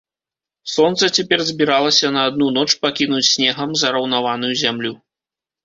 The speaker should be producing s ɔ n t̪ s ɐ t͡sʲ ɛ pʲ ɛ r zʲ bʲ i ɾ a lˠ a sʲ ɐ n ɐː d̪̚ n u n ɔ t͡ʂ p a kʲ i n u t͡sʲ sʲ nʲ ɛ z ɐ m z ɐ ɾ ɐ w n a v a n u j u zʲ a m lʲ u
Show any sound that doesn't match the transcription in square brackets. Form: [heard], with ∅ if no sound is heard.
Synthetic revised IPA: s ɔ n t̪ s ɐ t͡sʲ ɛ pʲ ɛ r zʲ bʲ i ɾ a lˠ [ɐ] sʲ ɐ n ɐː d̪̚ n u n ɔ t͡ʂ p a kʲ i n u t͡sʲ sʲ nʲ ɛ [ɣ] ɐ m z ɐ ɾ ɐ w n a v a n u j u zʲ a m lʲ u